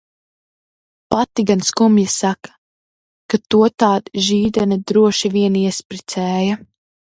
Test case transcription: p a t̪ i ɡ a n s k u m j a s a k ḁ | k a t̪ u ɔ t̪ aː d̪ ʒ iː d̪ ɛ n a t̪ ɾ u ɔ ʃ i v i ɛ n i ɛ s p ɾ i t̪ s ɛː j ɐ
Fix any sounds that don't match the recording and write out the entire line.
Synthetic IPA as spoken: p a t̪ i ɡ a n s k u m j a s a k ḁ | k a t̪ u ɔ t̪ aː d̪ ʒ iː d̪ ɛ n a d̪ ɾ u ɔ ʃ i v i ɛ n i ɛ s p ɾ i t̪ s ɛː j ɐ